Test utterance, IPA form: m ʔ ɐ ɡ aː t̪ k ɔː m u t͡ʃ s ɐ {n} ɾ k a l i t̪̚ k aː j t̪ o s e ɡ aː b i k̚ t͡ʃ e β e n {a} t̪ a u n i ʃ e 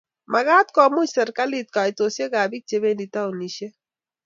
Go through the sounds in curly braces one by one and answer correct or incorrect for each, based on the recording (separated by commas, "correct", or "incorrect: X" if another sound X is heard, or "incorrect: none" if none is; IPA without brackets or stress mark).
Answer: incorrect: none, incorrect: i